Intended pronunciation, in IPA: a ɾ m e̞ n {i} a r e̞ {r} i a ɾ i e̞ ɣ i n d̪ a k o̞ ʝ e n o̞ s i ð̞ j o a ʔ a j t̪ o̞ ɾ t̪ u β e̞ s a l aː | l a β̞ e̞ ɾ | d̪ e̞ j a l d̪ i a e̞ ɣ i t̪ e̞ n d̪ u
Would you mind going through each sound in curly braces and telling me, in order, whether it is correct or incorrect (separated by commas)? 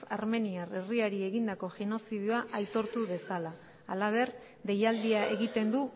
correct, correct